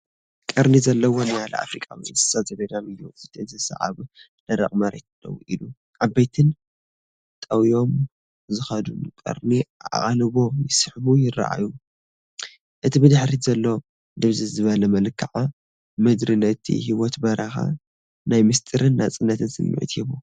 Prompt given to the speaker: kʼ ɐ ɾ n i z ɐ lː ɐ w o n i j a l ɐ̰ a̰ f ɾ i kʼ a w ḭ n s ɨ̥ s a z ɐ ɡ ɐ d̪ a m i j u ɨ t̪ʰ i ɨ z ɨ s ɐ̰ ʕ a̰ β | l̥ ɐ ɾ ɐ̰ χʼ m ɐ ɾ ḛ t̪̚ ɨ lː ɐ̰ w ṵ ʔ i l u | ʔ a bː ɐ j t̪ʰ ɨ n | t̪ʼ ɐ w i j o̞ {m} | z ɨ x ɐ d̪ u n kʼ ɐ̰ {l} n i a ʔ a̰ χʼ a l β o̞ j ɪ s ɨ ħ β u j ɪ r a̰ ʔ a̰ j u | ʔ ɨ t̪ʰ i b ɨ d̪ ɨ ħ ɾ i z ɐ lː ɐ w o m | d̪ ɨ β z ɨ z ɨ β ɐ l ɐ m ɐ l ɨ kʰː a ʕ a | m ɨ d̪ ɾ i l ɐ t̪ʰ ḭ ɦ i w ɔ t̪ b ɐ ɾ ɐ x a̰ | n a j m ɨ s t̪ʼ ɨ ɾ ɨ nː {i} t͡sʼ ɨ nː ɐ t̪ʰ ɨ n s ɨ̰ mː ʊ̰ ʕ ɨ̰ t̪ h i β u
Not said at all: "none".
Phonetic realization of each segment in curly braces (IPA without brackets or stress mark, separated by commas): m, ɾ, a